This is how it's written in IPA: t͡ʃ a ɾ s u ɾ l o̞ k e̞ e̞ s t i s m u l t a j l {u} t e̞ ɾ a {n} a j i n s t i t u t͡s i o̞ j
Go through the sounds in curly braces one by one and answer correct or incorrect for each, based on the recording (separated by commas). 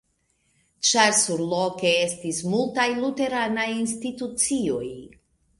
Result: correct, correct